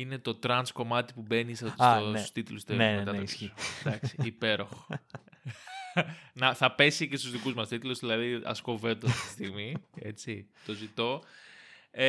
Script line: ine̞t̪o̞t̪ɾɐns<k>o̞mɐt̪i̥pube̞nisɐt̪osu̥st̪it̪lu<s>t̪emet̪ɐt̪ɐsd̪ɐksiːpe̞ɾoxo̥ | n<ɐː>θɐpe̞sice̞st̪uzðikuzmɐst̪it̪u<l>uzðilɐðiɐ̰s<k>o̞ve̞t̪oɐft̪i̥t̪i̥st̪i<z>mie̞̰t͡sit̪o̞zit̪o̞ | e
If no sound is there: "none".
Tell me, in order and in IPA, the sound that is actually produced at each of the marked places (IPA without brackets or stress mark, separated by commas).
k, s, ɐ, l, k, ɣ